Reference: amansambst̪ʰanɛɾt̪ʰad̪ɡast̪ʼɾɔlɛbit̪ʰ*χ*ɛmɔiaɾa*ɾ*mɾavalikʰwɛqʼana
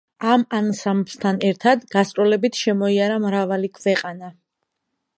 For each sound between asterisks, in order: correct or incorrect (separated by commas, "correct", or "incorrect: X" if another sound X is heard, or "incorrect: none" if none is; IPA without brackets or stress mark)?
incorrect: ʃ, incorrect: none